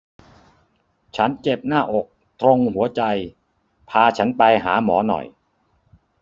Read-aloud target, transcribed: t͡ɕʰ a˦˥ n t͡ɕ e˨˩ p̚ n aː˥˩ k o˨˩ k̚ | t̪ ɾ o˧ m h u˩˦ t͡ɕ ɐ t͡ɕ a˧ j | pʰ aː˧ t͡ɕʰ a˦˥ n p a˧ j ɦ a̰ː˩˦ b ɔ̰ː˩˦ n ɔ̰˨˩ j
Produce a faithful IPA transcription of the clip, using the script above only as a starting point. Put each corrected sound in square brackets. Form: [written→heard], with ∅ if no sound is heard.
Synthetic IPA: t͡ɕʰ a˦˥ n t͡ɕ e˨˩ p̚ n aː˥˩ [k→ʔ] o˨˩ k̚ | t̪ ɾ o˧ [m→ŋ] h u˩˦ [t͡ɕ→∅] ɐ t͡ɕ a˧ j | pʰ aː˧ t͡ɕʰ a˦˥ n p a˧ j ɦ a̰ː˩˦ [b→m] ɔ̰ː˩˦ n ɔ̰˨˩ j

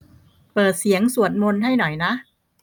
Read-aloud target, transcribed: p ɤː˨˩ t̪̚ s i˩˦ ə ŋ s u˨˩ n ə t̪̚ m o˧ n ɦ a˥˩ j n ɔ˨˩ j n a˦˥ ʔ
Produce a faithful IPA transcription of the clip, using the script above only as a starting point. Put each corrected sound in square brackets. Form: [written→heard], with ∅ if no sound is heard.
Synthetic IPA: p ɤː˨˩ t̪̚ s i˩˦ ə ŋ s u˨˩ [n→∅] ə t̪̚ m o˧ n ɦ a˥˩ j n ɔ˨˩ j n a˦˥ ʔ

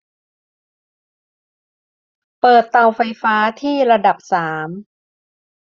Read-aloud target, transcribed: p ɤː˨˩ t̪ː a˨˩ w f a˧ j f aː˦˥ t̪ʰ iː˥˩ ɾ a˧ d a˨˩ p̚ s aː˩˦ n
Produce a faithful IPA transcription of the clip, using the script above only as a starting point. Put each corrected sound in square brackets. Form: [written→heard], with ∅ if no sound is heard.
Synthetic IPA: p ɤː˨˩ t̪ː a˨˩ w f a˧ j f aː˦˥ t̪ʰ iː˥˩ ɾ a˧ d a˨˩ p̚ s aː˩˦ [n→m]

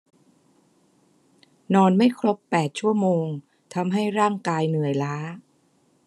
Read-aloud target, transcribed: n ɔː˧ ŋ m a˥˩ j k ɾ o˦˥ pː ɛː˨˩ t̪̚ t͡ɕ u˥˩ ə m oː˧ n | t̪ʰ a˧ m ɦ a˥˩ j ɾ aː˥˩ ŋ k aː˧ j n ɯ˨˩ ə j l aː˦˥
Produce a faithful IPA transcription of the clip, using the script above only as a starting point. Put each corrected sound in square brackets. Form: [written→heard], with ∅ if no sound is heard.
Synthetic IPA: n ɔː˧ [ŋ→n] m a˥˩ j [k→kʰ] ɾ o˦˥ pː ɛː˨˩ t̪̚ [t͡ɕ→t͡ɕʰ] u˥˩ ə m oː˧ [n→ŋ] | t̪ʰ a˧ m ɦ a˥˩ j ɾ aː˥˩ ŋ k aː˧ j n ɯ˨˩ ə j l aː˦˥

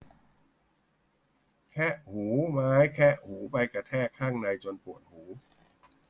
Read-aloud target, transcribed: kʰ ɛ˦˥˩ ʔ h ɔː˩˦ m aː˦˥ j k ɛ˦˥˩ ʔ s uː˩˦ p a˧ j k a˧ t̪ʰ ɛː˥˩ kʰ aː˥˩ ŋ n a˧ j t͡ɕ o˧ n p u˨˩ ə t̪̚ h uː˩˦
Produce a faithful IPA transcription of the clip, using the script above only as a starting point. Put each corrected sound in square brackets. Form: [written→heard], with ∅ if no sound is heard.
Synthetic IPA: kʰ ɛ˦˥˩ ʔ h [ɔː˩˦→uː˩˦] m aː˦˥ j [k→kʰ] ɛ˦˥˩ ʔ [s→h] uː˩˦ p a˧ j k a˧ t̪ʰ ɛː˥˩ kʰ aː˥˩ ŋ n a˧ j t͡ɕ o˧ n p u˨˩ ə t̪̚ h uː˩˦

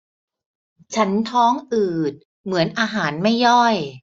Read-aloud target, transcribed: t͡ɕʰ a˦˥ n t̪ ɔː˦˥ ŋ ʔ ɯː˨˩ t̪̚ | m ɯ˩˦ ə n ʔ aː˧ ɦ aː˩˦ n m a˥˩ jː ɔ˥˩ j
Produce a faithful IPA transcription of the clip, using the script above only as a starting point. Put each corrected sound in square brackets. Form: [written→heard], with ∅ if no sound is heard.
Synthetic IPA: t͡ɕʰ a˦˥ n [t̪→t̪ʰ] ɔː˦˥ ŋ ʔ ɯː˨˩ t̪̚ | m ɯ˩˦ ə n ʔ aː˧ ɦ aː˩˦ n m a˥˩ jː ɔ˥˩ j

